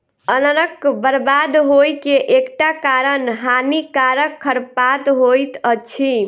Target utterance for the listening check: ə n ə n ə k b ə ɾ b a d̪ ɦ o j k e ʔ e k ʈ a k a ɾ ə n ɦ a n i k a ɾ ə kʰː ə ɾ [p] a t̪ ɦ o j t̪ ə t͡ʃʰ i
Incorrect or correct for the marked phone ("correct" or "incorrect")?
correct